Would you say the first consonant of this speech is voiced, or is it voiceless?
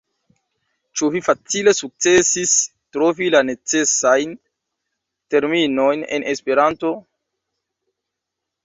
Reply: voiceless